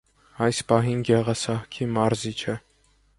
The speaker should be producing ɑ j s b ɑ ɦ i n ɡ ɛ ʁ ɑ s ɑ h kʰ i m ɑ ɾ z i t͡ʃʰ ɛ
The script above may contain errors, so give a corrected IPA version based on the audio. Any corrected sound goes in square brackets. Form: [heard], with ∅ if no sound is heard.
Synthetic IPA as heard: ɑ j s [p] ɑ ɦ i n ɡ ɛ ʁ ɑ s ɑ h kʰ i m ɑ ɾ z i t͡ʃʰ ɛ